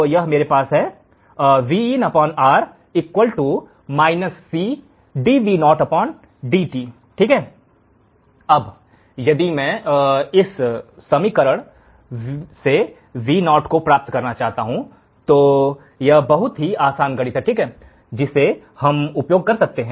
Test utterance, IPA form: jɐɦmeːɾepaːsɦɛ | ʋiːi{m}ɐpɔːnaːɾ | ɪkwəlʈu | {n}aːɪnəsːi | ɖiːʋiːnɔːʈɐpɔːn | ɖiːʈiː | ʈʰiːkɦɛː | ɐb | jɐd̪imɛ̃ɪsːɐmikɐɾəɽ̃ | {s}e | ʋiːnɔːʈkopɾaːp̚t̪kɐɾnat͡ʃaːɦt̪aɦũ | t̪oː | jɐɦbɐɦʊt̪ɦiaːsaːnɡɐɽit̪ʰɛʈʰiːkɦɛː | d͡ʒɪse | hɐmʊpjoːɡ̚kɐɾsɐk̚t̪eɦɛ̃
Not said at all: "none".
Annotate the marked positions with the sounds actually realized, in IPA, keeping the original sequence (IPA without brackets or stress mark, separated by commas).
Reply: n, m, s